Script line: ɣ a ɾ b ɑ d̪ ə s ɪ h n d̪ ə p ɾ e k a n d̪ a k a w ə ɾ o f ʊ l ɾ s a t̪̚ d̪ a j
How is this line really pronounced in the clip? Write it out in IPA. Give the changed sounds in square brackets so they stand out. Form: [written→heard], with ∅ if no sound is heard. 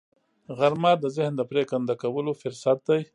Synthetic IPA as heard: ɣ a ɾ [b→m] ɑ d̪ ə [s→z] ɪ h n d̪ ə p ɾ e k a n d̪ a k a w ə [ɾ→l] o f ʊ [l→∅] ɾ s a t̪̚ d̪ a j